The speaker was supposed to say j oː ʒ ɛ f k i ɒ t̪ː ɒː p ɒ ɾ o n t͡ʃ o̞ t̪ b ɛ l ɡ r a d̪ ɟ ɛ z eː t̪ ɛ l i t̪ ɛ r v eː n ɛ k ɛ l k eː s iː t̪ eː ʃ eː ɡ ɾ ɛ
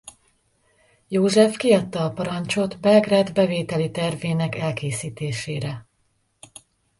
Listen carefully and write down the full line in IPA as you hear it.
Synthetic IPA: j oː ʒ ɛ f k i ɒ t̪ː ɒː p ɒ ɾ ɒ n t͡ʃ o̞ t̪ b ɛ l ɡ r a d̪ b ɛ v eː t̪ ɛ l i t̪ ɛ r v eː n ɛ k ɛ l k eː s iː t̪ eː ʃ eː ɾ ɛ